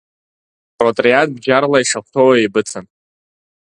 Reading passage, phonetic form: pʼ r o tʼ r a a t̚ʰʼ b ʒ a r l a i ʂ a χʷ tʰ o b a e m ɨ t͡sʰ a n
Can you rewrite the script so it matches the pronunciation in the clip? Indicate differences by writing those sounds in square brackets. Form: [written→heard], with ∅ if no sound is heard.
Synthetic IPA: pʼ r o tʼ r [a→i] a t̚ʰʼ b [ʒ→d͡ʒ] a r l a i ʂ a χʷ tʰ o [b→w] a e [m→b] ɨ t͡sʰ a n